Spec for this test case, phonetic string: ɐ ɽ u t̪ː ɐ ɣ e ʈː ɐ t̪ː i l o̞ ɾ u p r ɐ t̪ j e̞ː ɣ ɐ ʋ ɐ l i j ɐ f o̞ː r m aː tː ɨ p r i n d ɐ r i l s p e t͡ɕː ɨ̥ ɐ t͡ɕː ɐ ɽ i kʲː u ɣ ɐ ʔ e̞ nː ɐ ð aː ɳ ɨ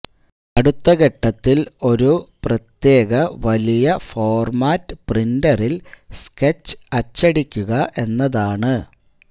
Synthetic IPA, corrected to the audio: ɐ ɽ u t̪ː ɐ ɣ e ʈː ɐ t̪ː i l o̞ ɾ u p r ɐ t̪ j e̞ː ɣ ɐ ʋ ɐ l i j ɐ f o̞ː r m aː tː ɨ p r i n d ɐ r i l s k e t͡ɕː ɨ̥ ɐ t͡ɕː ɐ ɽ i kʲː u ɣ ɐ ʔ e̞ nː ɐ ð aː ɳ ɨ